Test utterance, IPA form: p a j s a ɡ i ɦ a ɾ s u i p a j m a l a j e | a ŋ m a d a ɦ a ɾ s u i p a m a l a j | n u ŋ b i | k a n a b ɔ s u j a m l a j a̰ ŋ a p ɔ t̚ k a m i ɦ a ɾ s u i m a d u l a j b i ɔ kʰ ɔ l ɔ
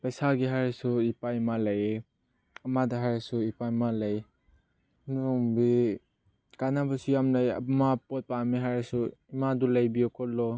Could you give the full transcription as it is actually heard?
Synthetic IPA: p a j s a ɡ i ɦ a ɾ s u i p a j m a l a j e | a m a d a ɦ a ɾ s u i p a m a l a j | n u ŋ b i | k a n a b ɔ s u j a m l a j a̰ m a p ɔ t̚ p a m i ɦ a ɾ s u i m a d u l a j b i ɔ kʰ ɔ l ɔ